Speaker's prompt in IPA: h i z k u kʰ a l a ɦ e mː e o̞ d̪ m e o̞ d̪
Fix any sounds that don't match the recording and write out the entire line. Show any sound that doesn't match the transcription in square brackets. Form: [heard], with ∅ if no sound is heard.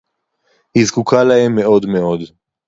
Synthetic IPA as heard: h i z k u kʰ a l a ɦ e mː e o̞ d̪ m e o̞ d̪